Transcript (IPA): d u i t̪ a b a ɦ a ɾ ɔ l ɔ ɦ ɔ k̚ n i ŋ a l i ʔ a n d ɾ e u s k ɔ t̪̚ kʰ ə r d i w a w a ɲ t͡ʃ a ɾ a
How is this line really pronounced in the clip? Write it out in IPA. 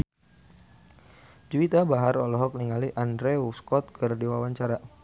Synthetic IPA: d͡ʒ u i t̪ a b a ɦ a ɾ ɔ l ɔ ɦ ɔ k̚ n i ŋ a l i ʔ a n d ɾ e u s k ɔ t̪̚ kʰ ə r d i w a w a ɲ t͡ʃ a ɾ a